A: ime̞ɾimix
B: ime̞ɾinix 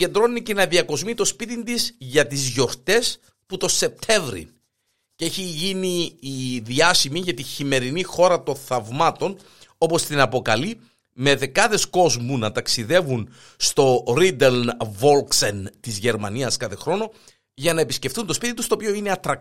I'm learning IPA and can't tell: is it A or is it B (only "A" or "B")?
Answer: B